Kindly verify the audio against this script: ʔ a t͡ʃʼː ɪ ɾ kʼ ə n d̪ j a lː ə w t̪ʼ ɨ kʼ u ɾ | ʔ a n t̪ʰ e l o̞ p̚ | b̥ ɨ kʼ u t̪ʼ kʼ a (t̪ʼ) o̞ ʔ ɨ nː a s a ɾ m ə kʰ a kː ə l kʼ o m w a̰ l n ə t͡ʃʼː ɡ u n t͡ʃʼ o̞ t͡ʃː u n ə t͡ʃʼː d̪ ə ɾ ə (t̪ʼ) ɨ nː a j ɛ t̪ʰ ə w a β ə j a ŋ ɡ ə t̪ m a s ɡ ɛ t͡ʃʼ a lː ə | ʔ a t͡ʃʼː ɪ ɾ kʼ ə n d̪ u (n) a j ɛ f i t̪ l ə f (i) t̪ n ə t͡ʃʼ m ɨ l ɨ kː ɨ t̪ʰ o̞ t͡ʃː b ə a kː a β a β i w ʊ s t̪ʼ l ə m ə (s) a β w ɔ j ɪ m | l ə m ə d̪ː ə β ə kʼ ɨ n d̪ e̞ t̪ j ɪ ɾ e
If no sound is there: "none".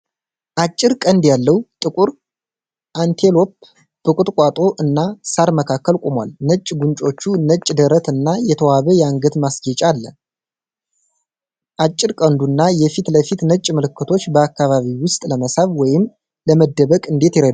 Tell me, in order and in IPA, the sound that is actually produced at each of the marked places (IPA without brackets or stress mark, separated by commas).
t̪ʼ, t̪, nː, i, s